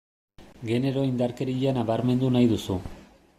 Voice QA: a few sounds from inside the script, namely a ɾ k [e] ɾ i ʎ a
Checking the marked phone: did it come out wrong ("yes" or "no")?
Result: no